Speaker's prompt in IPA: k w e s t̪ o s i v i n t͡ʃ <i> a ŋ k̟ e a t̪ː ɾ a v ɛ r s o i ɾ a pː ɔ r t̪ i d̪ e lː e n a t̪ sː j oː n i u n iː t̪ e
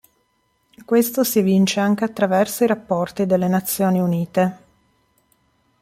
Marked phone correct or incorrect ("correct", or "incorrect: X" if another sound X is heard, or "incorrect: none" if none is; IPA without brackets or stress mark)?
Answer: incorrect: e